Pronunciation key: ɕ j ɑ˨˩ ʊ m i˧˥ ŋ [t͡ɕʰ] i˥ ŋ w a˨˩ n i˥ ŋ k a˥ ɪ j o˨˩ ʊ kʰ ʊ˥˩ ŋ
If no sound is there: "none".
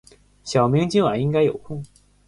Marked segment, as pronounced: t͡ɕ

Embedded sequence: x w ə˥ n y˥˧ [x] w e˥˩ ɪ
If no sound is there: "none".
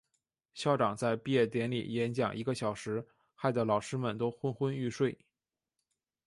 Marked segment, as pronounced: ʂ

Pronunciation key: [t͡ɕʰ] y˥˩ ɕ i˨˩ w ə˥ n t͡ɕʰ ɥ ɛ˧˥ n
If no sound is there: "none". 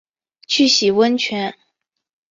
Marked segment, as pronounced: t͡ɕʰ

